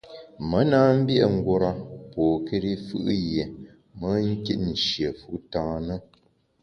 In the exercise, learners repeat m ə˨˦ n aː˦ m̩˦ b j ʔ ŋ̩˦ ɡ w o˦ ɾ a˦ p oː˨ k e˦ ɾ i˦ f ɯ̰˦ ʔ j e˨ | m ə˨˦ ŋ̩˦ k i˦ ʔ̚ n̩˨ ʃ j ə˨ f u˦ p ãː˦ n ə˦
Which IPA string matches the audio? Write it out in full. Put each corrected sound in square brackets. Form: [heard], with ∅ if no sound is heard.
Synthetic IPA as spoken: m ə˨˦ n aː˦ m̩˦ b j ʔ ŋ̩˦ ɡ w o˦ ɾ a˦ p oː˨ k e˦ ɾ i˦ f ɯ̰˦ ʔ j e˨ | m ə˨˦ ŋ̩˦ k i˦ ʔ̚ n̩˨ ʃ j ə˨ f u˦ [t] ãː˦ n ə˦